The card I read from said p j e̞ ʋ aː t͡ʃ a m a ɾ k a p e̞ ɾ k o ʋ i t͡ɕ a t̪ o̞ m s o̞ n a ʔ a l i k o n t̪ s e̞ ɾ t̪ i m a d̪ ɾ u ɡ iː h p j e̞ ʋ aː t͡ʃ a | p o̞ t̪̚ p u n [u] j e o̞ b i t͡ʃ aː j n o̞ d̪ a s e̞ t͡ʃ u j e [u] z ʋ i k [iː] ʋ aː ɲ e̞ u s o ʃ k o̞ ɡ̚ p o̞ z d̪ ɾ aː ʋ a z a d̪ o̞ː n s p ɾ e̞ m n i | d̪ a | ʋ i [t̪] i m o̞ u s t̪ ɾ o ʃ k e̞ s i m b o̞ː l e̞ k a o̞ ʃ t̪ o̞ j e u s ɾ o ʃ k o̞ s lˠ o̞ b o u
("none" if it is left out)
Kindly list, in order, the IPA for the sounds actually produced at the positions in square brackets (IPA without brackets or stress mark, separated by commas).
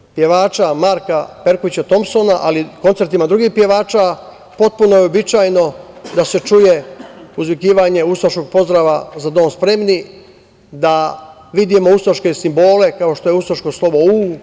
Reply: o, u, iː, d̪